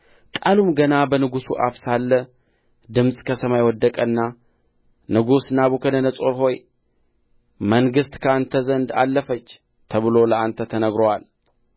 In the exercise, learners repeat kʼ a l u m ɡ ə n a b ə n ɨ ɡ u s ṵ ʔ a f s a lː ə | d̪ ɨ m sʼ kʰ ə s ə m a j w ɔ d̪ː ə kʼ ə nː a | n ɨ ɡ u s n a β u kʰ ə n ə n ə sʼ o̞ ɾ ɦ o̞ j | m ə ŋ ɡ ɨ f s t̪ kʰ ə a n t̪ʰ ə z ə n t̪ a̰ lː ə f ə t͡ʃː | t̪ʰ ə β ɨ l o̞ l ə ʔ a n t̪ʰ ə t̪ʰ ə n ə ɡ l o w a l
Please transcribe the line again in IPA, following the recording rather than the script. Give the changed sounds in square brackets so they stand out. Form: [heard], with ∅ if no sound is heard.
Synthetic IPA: kʼ a l u m ɡ ə n a b ə n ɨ ɡ u s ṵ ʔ a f s a lː ə | d̪ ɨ m sʼ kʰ ə s ə m a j w ɔ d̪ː ə kʼ ə nː a | n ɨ ɡ u s n a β u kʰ ə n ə n ə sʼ o̞ ɾ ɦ o̞ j | m ə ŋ ɡ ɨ [∅] s t̪ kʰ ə a n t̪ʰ ə z ə n [d̪] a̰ lː ə f ə t͡ʃː | t̪ʰ ə β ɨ l o̞ l ə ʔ a n t̪ʰ ə t̪ʰ ə n ə ɡ [ɾ] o w a l